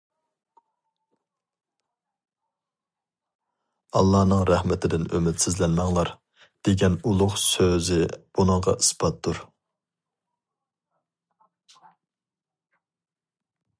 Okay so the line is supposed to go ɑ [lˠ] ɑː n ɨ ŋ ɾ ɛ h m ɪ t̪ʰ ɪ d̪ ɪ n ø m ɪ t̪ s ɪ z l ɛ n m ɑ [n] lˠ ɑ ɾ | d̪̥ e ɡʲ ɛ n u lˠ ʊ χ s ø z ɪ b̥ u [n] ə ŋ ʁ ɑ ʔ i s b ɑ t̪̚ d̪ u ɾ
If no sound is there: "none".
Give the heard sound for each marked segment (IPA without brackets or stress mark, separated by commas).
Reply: lˠː, ŋ, n